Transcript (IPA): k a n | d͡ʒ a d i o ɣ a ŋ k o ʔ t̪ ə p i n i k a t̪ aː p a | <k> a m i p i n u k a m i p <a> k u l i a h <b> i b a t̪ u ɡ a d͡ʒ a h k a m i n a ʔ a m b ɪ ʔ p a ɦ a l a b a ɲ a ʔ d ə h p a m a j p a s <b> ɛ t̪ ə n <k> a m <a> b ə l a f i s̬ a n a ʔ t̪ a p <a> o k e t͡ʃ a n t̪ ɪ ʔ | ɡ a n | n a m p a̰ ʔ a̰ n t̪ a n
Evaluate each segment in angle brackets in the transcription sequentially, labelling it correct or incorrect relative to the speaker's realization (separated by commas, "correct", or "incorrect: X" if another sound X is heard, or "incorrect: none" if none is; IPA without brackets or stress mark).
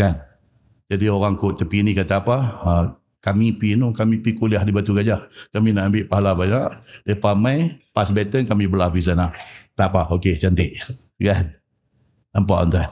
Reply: correct, incorrect: i, incorrect: d, correct, correct, incorrect: i, correct